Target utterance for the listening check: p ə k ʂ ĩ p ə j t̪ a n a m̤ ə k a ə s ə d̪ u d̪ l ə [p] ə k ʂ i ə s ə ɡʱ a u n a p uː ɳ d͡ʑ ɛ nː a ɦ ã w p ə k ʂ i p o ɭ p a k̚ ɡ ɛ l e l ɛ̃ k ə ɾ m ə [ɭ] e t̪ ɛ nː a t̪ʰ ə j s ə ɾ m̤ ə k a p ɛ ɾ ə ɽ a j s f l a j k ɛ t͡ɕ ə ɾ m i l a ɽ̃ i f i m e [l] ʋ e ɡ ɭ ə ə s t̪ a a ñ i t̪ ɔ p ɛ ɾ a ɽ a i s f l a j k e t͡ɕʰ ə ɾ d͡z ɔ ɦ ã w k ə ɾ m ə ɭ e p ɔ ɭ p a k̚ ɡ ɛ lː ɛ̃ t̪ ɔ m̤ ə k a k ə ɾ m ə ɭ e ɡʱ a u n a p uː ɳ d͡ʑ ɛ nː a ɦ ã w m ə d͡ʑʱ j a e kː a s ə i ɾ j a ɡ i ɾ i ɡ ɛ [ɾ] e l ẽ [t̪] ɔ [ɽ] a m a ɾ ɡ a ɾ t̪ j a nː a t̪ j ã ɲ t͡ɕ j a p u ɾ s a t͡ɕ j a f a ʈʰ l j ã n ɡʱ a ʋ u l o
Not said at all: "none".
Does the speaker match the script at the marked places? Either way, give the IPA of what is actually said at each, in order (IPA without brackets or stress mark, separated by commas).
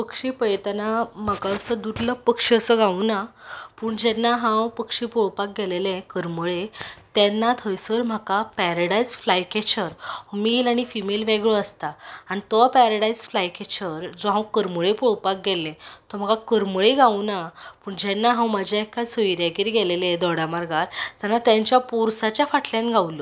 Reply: p, ɭ, l, l, d̪, ɽ